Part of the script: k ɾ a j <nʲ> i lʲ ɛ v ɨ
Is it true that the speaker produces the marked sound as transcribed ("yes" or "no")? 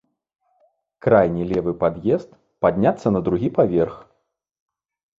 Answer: yes